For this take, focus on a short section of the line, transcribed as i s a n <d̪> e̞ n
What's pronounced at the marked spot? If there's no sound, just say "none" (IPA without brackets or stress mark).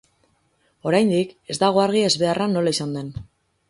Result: d̪